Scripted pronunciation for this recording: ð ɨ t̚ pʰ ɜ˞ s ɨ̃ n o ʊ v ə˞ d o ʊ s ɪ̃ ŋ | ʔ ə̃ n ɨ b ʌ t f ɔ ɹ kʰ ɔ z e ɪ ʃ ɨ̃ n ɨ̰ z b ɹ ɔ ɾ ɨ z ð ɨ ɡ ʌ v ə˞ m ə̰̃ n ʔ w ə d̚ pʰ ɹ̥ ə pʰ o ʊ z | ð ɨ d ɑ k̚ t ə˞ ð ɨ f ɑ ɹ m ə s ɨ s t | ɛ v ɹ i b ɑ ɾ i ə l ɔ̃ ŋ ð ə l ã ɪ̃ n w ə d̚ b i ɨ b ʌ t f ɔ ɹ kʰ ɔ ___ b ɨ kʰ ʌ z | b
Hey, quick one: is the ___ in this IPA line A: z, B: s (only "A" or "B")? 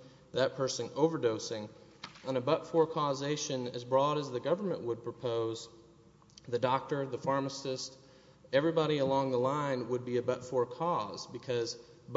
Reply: A